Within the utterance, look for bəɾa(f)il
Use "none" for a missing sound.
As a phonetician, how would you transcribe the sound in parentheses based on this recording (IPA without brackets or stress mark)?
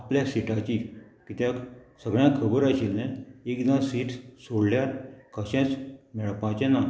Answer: ɕ